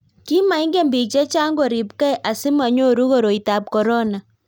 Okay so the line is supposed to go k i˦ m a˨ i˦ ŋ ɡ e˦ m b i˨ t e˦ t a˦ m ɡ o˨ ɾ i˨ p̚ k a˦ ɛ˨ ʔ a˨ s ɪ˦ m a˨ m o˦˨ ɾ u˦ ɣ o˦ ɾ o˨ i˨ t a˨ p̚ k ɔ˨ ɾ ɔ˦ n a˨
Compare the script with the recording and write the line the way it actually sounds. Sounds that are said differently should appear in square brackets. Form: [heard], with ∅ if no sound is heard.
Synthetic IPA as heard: k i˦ m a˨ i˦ ŋ ɡ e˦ m b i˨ [t͡ʃ] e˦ [t͡ʃ] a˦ [ŋ] ɡ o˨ ɾ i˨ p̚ k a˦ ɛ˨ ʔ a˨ s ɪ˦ m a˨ [ɲ] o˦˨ ɾ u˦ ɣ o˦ ɾ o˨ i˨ t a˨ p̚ k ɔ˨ ɾ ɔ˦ n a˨